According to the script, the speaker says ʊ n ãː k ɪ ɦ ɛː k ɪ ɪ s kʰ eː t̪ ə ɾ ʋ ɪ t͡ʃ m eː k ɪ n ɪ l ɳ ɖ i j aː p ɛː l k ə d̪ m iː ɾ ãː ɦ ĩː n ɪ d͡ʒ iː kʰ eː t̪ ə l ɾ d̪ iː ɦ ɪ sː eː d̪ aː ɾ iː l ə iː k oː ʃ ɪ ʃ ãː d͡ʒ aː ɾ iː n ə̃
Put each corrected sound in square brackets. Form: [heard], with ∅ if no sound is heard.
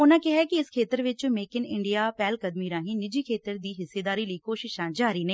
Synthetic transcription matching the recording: ʊ n ãː k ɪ ɦ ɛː k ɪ ɪ s kʰ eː t̪ ə ɾ ʋ ɪ t͡ʃ m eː k ɪ n ɪ [∅] ɳ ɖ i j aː p ɛː l k ə d̪ m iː ɾ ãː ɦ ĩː n ɪ d͡ʒ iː kʰ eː t̪ ə [∅] ɾ d̪ iː ɦ ɪ sː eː d̪ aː ɾ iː l ə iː k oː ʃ ɪ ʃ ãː d͡ʒ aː ɾ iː n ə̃